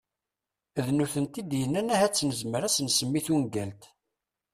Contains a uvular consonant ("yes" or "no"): no